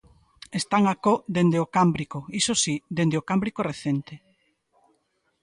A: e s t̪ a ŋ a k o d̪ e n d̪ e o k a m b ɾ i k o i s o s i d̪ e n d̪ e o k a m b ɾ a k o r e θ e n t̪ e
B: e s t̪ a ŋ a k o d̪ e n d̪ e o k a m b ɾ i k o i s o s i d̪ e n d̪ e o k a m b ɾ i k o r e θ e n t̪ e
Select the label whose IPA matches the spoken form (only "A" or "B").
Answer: B